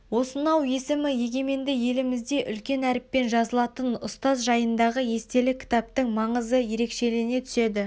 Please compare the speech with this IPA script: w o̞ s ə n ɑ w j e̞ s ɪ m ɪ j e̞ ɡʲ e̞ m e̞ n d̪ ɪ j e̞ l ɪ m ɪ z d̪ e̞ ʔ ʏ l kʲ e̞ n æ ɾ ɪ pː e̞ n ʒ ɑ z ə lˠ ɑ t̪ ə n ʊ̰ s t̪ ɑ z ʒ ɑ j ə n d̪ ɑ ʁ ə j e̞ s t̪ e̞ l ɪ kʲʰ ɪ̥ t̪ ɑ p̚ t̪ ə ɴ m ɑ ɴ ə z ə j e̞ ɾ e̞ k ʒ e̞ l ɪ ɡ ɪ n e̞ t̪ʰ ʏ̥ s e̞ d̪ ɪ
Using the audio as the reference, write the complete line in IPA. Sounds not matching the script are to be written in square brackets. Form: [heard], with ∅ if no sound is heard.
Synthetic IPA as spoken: w o̞ s ə n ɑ w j e̞ s ɪ m ɪ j e̞ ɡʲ e̞ m e̞ n d̪ ɪ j e̞ l ɪ m ɪ z d̪ e̞ ʔ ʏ l kʲ e̞ n æ ɾ ɪ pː e̞ n ʒ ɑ z ə lˠ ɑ t̪ ə n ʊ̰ s t̪ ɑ z ʒ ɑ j ə n d̪ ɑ ʁ ə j e̞ s t̪ e̞ l ɪ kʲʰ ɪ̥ t̪ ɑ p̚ t̪ ə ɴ m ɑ ɴ ə z ə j e̞ ɾ e̞ k [ʃ] e̞ l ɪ ɡ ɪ n e̞ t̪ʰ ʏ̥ s e̞ d̪ ɪ